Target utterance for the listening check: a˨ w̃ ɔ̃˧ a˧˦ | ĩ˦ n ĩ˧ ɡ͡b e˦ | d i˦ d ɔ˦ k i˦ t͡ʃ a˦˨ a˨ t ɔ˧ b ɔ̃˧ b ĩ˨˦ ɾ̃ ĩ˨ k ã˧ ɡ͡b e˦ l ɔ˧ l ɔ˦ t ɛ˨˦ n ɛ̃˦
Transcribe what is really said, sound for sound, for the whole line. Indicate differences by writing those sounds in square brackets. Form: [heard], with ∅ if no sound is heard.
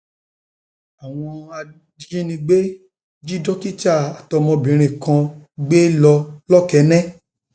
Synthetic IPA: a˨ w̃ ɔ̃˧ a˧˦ | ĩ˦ n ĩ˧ ɡ͡b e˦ | [d͡ʒ] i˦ d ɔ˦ k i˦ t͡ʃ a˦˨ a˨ t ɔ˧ [m] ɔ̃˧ b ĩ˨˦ ɾ̃ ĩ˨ k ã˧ ɡ͡b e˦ l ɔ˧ l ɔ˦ [k] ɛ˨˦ n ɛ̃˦